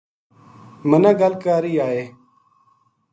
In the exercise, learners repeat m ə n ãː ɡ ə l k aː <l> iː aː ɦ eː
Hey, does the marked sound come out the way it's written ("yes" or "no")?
no